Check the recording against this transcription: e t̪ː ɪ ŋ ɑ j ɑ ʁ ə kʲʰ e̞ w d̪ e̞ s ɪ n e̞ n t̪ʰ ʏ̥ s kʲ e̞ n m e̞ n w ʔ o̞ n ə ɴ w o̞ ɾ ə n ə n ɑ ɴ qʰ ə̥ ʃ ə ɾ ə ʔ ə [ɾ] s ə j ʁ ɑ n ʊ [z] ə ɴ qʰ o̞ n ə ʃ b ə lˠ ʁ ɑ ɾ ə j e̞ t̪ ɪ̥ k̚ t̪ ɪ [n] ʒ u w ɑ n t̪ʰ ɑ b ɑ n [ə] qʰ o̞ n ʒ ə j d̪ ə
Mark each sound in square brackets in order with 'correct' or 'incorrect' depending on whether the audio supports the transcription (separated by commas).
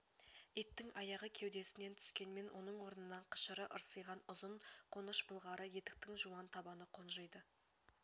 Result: correct, correct, incorrect, correct